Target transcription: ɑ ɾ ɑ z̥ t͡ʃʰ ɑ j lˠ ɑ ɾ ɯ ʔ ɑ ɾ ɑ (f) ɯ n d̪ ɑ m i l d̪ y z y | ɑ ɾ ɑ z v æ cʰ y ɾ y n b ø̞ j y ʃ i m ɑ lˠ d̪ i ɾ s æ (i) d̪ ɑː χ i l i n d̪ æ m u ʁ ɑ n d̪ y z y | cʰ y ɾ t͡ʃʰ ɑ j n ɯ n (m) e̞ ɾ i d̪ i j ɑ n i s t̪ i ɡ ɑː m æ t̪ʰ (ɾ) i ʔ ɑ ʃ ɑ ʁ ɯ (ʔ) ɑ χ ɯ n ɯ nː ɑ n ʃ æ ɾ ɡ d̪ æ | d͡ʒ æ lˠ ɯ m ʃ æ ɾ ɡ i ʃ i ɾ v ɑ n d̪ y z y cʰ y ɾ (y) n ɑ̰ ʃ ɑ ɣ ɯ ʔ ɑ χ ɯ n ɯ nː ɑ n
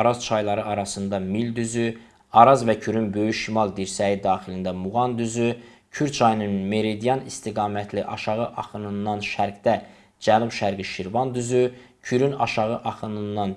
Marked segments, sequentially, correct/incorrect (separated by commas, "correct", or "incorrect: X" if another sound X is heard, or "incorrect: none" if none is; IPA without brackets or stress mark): incorrect: s, correct, correct, incorrect: l, correct, correct